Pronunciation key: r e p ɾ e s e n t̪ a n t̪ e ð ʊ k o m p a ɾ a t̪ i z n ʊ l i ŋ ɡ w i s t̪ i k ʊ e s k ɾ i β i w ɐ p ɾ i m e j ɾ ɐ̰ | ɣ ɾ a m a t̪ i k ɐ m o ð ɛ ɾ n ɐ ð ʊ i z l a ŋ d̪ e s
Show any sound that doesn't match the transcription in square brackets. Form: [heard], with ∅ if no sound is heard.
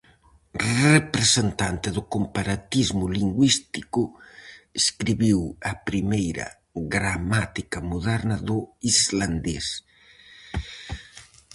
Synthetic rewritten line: r e p ɾ e s e n t̪ a n t̪ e ð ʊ k o m p a ɾ a t̪ i z [m] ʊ l i ŋ ɡ w i s t̪ i k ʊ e s k ɾ i β i w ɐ p ɾ i m e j ɾ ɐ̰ | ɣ ɾ a m a t̪ i k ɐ m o ð ɛ ɾ n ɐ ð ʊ i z l a [n] d̪ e s

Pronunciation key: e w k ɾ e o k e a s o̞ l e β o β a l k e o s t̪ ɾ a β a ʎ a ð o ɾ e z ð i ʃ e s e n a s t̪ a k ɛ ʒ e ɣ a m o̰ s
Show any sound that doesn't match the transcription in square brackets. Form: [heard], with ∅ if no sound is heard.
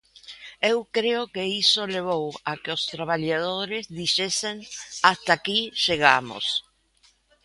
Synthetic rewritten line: e w k ɾ e o k e [i] s o̞ l e β o [w] a [∅] k e o s t̪ ɾ a β a ʎ a ð o ɾ e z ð i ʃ e s e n a s t̪ a k [i] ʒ e ɣ a m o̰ s

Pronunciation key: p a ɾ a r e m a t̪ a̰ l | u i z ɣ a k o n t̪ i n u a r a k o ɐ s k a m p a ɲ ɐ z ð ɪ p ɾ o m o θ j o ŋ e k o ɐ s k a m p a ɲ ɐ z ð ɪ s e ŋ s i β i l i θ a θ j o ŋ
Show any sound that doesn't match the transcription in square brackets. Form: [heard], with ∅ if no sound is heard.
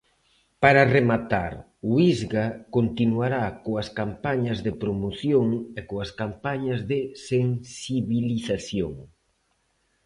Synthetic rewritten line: p a ɾ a r e m a t̪ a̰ [ɾ] | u i z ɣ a k o n t̪ i n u a [ɾ] a k o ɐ s k a m p a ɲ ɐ z ð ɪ p ɾ o m o θ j o ŋ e k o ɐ s k a m p a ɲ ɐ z ð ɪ s e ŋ s i β i l i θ a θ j o ŋ

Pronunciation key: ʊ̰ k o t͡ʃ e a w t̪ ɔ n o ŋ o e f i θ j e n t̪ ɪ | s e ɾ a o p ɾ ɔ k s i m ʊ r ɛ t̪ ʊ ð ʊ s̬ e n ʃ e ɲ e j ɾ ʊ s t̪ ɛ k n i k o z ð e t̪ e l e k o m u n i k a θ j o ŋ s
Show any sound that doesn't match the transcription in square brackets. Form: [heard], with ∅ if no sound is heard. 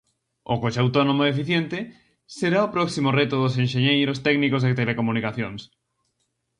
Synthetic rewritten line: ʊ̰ k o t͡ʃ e a w t̪ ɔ n o [m] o e f i θ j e n t̪ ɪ | s e ɾ a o p ɾ ɔ k s i m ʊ r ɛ t̪ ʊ ð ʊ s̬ e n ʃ e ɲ e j ɾ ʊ s t̪ ɛ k n i k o z ð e t̪ e l e k o m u n i k a θ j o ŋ s

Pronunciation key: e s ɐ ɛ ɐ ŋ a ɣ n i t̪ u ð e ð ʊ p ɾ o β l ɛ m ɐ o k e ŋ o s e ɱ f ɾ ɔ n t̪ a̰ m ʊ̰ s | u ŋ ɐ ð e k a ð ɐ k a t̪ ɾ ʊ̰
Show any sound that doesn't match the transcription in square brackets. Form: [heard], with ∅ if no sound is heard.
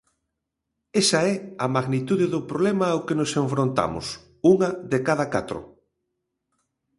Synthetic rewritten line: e s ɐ ɛ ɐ [m] a ɣ n i t̪ u ð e ð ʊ p ɾ o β l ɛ m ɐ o k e [n] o s e ɱ f ɾ [o] n t̪ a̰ m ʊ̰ s | u ŋ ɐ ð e k a ð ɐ k a t̪ ɾ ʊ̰

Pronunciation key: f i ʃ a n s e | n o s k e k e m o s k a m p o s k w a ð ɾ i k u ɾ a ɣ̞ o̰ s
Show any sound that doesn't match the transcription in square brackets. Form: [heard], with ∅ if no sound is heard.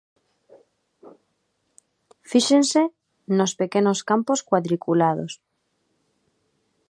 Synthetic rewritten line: f i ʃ [e] n s e | n o s [p] e k e [n] o s k a m p o s k w a ð ɾ i k u [l] a [ð̞] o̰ s

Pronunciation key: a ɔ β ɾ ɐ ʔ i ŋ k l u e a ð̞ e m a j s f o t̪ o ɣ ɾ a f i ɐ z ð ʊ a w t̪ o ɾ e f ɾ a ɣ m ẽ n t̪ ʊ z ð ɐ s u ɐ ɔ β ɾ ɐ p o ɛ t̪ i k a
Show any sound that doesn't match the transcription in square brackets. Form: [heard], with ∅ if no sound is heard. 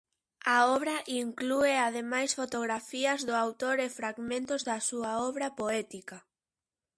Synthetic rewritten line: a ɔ β ɾ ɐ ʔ i ŋ k l u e a ð̞ e m a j s f o t̪ o ɣ ɾ a f i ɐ z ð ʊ a w t̪ o ɾ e f ɾ a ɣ m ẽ n t̪ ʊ z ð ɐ s u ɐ ɔ β ɾ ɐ p o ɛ t̪ i k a

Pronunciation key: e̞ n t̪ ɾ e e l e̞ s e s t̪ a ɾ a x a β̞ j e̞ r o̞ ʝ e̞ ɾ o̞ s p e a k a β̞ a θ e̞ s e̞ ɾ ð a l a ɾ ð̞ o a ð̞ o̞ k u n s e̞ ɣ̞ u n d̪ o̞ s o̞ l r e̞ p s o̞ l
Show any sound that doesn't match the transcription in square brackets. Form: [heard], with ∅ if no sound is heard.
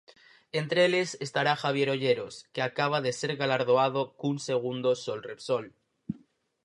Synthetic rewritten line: e̞ n t̪ ɾ e e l e̞ s e s t̪ a ɾ a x a β̞ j e̞ [ɾ] o̞ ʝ e̞ ɾ o̞ s [k] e a k a β̞ a [ð] e̞ s e̞ ɾ [ɣ] a l a ɾ ð̞ o a ð̞ o̞ k u n s e̞ ɣ̞ u n d̪ o̞ s o̞ l r e̞ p s o̞ l

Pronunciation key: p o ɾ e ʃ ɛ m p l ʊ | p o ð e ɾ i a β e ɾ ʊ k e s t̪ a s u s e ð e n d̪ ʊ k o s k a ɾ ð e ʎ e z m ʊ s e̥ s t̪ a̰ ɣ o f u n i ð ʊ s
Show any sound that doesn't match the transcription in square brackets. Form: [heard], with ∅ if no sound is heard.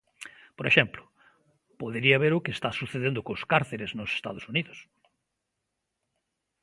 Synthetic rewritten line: p o ɾ e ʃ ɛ m p l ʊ | p o ð e ɾ i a β e ɾ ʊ k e s t̪ a s u [θ] e ð e n d̪ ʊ k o s k a ɾ [θ] e [ɾ] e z [n] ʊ s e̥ s t̪ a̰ [ð] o [s] u n i ð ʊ s

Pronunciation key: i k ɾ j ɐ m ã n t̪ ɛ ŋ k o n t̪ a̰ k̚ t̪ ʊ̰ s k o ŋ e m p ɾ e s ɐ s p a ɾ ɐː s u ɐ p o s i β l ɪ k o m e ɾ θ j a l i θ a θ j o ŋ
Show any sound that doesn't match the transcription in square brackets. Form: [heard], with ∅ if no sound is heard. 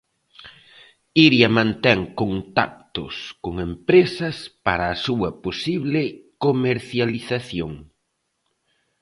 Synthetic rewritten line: i [∅] ɾ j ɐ m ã n t̪ ɛ ŋ k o n t̪ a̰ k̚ t̪ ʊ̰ s k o ŋ e m p ɾ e s ɐ s p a ɾ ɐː s u ɐ p o s i β l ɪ k o m e ɾ θ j a l i θ a θ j o ŋ

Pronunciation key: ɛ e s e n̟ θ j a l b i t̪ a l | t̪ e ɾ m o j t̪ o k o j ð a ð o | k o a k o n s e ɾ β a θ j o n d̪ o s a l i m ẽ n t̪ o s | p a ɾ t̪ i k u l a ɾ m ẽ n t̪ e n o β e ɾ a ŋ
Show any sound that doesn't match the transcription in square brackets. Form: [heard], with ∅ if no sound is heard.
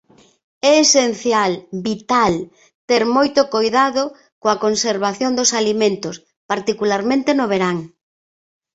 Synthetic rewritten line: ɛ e s e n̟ θ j a l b i t̪ a l | t̪ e ɾ m o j t̪ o k o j ð a ð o | k o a k o n s e ɾ β a θ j o n d̪ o s a l i m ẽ n t̪ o s | p a ɾ t̪ i k u l a ɾ m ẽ n t̪ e n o β e ɾ a ŋ

